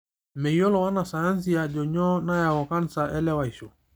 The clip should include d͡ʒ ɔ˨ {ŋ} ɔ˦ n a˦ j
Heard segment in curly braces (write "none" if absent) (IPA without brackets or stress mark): ɲ